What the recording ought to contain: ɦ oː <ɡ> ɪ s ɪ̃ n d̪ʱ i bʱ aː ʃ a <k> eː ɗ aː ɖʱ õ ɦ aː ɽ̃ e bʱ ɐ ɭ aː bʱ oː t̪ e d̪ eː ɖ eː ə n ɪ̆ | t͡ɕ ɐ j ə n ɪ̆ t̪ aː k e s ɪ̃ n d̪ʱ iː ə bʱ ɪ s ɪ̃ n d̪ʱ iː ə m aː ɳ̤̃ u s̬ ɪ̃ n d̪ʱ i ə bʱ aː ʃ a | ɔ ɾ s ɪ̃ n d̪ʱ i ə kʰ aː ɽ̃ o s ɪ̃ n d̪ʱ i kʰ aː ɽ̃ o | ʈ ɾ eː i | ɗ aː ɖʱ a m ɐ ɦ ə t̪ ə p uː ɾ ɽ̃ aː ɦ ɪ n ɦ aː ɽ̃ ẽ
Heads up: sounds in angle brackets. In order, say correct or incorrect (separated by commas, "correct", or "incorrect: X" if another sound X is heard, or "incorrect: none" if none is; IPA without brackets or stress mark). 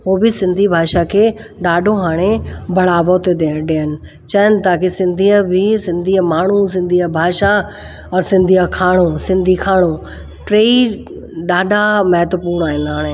incorrect: b, incorrect: kʰ